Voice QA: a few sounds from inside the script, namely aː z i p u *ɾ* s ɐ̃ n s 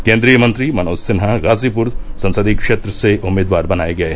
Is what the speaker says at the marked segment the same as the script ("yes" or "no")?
yes